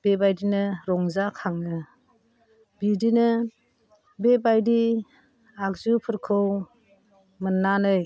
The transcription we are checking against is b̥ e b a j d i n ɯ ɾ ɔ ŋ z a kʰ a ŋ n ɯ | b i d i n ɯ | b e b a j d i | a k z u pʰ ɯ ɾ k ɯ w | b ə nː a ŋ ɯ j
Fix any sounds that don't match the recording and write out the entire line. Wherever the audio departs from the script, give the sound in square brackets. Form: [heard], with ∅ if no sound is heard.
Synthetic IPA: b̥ e b a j d i n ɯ ɾ ɔ ŋ z a kʰ a ŋ n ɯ | b i d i n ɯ | b e b a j d i | a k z u pʰ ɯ ɾ [kʰ] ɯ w | [m] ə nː a [n] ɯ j

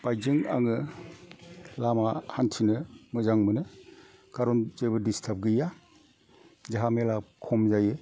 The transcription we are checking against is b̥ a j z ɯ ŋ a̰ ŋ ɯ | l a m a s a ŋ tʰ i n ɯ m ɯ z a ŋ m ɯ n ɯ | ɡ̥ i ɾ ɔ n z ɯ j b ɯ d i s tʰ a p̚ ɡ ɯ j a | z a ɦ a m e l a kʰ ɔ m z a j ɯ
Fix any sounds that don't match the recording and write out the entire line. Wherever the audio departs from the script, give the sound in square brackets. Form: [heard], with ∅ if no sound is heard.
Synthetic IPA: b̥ a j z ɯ ŋ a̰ ŋ ɯ | l a m a [h] a [n] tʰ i n ɯ m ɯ z a ŋ m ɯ n ɯ | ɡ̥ [a] ɾ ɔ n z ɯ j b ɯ d i s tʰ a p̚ ɡ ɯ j a | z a ɦ a m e l a kʰ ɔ m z a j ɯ

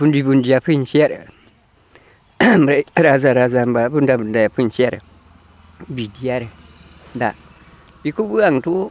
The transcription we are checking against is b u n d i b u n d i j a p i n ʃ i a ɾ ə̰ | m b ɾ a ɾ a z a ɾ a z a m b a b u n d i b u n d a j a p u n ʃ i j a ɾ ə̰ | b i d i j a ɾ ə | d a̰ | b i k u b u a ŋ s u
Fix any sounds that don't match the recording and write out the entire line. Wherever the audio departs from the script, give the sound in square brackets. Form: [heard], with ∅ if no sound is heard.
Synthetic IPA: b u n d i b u n d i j a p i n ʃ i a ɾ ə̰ | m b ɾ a ɾ a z a ɾ a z a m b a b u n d [a] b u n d a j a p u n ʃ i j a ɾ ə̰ | b i d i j a ɾ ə | d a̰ | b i k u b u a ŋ [t] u

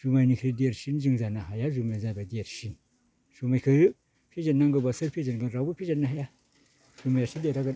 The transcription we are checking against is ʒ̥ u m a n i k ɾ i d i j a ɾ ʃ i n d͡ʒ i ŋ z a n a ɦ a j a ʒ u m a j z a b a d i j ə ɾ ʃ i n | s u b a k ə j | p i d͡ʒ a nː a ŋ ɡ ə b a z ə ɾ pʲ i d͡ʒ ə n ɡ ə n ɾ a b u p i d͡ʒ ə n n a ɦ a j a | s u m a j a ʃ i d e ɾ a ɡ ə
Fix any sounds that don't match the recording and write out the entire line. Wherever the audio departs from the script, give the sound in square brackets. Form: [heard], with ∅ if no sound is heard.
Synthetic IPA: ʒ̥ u m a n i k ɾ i d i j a ɾ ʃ i n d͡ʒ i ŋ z a n a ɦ a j a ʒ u m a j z a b a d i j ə ɾ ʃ i n | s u [m] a k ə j | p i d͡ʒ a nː a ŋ ɡ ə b a [s] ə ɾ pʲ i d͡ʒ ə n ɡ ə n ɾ a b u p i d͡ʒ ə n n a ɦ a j a | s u m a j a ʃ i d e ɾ a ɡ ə

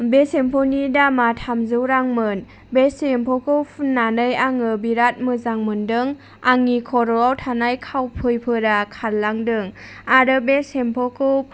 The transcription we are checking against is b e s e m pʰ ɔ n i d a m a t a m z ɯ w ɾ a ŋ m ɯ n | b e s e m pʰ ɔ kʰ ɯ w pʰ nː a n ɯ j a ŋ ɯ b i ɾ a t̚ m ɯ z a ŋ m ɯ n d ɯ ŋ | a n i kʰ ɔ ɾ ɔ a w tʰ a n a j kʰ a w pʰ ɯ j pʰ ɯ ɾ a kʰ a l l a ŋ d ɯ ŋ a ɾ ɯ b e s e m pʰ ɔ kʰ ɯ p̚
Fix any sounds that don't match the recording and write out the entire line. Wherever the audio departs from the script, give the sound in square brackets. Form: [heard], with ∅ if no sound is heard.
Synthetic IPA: b e s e m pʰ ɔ n i d a m a [tʰ] a m z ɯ w ɾ a ŋ m ɯ n | b e s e m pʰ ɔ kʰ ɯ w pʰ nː a n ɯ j a ŋ ɯ b i ɾ a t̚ m ɯ z a ŋ m ɯ n d ɯ ŋ | a [ŋ] i kʰ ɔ ɾ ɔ a w tʰ a n a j kʰ a w pʰ ɯ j pʰ ɯ ɾ a kʰ a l l a ŋ d ɯ ŋ a ɾ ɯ b e s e m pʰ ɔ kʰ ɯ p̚

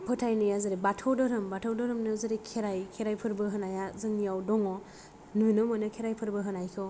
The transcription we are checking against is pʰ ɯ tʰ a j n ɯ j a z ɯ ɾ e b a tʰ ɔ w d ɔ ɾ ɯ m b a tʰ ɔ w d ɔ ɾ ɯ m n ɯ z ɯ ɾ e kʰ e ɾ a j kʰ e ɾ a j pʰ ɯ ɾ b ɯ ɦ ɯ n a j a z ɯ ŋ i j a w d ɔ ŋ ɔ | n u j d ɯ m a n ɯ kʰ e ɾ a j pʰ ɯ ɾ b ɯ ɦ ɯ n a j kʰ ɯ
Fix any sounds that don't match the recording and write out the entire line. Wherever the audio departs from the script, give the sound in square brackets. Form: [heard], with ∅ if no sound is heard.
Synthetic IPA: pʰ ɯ tʰ a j n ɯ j a z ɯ ɾ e b a tʰ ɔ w d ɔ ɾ ɯ m b a tʰ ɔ w d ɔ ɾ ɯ m n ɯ z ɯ ɾ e kʰ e ɾ a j kʰ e ɾ a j pʰ ɯ ɾ b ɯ ɦ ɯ n a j a z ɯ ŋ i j a w d ɔ ŋ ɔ | n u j [n] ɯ m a n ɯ kʰ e ɾ a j pʰ ɯ ɾ b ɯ ɦ ɯ n a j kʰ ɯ

